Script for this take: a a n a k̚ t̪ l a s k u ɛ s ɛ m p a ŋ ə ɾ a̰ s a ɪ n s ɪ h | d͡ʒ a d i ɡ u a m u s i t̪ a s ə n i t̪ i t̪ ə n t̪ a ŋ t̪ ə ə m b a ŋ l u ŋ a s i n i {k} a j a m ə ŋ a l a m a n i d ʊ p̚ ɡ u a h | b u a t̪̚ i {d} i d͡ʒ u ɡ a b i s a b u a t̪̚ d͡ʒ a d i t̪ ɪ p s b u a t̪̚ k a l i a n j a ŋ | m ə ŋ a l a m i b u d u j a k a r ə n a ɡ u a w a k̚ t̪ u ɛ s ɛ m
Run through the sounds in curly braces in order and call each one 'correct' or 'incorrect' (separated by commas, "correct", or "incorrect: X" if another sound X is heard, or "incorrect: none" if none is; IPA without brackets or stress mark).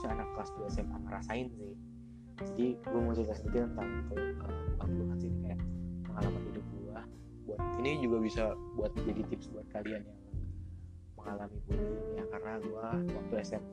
correct, incorrect: n